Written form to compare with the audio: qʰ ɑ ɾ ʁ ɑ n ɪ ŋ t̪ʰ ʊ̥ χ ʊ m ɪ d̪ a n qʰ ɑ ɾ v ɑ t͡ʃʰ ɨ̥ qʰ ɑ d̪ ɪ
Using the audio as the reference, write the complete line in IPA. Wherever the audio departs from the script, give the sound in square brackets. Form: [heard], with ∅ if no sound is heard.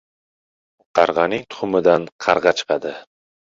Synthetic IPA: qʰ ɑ ɾ ʁ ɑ n ɪ ŋ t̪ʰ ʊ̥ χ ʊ m ɪ d̪ a n qʰ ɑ ɾ [ʁ] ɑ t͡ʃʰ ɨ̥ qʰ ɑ d̪ ɪ